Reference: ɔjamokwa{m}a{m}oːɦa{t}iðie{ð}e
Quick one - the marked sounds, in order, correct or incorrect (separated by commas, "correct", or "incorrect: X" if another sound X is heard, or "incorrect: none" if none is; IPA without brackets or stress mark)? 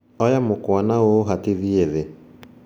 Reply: incorrect: n, incorrect: none, correct, correct